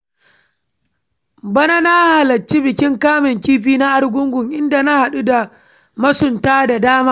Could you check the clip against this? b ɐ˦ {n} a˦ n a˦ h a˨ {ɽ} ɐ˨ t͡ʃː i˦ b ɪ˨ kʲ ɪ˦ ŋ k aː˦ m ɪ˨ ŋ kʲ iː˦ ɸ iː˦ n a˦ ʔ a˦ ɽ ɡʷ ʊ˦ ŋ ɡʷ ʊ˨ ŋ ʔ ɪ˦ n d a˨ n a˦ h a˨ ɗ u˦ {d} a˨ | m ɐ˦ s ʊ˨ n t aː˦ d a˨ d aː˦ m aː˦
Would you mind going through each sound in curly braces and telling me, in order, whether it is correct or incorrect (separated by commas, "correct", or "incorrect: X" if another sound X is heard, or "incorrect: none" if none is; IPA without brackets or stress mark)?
correct, incorrect: l, correct